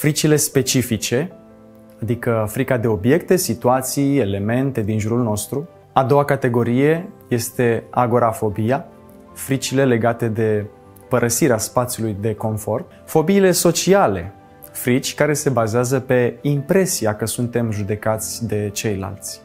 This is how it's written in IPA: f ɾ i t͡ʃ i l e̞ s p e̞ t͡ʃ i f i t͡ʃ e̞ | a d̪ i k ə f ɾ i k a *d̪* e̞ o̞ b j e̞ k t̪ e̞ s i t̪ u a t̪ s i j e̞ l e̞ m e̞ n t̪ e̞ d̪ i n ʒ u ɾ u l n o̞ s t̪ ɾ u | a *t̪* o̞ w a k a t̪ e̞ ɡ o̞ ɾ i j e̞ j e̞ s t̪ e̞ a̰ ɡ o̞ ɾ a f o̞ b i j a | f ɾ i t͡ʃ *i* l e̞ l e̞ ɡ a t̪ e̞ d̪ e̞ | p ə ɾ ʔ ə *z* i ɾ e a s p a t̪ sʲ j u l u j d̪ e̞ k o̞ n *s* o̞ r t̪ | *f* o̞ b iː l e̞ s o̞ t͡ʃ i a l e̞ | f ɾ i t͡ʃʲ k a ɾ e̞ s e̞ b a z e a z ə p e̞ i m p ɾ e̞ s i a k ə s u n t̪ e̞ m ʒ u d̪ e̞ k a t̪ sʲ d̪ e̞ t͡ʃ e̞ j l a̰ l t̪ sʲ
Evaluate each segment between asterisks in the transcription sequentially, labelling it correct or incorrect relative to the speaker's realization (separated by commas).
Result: correct, incorrect, correct, incorrect, incorrect, correct